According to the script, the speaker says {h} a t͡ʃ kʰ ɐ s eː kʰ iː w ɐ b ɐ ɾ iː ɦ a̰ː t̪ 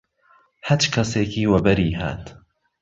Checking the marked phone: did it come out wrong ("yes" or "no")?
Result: no